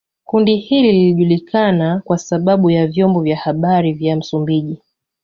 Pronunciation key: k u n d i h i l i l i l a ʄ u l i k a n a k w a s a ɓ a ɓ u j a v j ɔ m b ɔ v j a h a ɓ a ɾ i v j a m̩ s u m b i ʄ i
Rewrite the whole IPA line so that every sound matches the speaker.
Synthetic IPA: k u n d i h i l i l i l i ʄ u l i k a n a k w a s a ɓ a ɓ u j a v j ɔ m b ɔ v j a h a ɓ a ɾ i v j a m̩ s u m b i ʄ i